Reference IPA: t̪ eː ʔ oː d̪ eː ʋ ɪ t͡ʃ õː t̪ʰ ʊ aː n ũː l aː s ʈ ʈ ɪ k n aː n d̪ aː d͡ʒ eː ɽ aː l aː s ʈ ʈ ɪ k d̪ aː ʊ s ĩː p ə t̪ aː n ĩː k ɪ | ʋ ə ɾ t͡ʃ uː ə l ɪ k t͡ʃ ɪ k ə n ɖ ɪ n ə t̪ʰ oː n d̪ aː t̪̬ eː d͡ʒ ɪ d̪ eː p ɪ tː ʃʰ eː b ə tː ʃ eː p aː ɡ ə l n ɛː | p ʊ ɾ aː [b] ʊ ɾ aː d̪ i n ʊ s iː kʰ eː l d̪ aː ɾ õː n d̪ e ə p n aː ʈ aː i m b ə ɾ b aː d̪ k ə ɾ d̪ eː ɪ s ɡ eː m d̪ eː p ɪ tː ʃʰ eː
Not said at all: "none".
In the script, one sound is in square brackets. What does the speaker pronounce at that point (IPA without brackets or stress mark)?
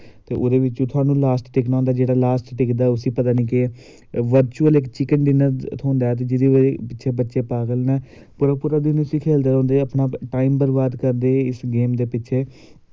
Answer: p